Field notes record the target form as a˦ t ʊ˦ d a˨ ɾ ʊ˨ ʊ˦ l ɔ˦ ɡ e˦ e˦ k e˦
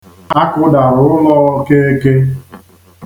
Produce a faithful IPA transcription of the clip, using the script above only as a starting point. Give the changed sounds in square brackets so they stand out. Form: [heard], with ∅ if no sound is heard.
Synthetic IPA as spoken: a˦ [k] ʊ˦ d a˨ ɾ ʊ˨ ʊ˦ l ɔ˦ [k] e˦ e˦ k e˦